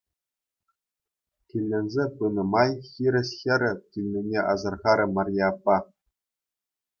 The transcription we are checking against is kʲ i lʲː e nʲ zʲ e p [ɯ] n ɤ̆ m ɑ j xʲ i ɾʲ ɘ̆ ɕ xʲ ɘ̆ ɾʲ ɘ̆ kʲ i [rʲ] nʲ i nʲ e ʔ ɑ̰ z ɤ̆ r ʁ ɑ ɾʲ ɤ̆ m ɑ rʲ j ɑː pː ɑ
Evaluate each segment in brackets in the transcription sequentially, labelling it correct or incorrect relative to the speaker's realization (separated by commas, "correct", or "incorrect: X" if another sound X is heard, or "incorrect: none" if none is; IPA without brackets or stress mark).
correct, incorrect: lʲ